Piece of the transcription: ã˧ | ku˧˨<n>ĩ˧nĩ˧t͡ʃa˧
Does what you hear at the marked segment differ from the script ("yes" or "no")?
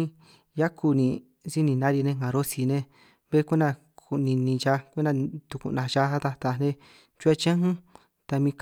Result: no